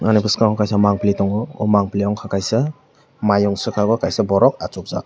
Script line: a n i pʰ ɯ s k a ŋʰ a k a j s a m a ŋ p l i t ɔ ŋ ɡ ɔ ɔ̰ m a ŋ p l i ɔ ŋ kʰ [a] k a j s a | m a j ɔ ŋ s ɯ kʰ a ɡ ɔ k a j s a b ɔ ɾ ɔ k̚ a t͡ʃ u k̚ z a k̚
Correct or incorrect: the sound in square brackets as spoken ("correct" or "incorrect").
correct